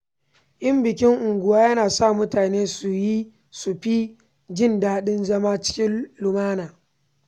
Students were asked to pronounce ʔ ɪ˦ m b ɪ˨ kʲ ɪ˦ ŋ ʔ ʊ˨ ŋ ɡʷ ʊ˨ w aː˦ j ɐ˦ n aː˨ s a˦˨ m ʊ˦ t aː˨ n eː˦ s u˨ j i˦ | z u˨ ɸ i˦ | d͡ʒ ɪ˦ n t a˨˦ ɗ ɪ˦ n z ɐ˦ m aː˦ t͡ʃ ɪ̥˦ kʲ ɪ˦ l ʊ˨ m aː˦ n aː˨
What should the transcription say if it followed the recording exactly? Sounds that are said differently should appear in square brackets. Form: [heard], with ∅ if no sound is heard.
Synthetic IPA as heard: ʔ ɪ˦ m b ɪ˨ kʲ ɪ˦ ŋ ʔ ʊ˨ ŋ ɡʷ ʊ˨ w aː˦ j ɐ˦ n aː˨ s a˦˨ m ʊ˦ t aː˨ n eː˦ s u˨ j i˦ | [s] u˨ ɸ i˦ | d͡ʒ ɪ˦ n [d] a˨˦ ɗ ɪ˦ n z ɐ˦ m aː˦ t͡ʃ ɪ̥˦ kʲ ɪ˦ l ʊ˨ m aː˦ n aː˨